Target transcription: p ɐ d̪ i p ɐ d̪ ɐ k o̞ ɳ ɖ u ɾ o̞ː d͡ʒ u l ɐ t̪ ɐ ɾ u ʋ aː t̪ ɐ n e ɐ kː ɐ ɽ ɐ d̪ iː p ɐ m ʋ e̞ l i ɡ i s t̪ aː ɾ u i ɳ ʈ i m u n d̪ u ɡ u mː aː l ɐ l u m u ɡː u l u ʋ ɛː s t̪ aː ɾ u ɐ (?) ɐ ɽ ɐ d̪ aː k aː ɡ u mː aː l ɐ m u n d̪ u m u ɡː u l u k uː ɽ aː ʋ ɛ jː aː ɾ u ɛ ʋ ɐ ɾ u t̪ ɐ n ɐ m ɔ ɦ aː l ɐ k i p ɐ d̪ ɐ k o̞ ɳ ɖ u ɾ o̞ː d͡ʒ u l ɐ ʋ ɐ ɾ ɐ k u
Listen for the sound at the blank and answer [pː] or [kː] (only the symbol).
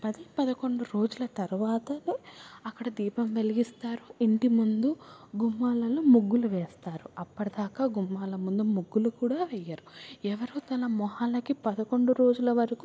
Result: pː